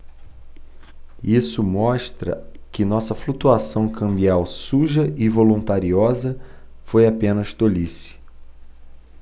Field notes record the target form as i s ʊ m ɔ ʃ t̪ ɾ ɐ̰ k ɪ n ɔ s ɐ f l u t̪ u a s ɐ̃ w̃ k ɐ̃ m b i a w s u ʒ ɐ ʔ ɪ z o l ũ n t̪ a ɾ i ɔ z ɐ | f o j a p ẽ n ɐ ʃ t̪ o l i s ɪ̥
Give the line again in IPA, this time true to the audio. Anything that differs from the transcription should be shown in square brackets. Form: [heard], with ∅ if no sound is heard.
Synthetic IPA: i s ʊ m ɔ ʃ t̪ ɾ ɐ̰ k ɪ n ɔ s ɐ f l u t̪ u a s ɐ̃ w̃ k ɐ̃ m b i a w s u ʒ ɐ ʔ ɪ [v] o l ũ n t̪ a ɾ i ɔ z ɐ | f o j a p ẽ n ɐ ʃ t̪ o l i s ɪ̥